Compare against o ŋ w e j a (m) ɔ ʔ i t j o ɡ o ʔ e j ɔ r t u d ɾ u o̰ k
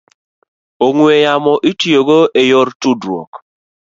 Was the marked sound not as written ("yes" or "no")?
no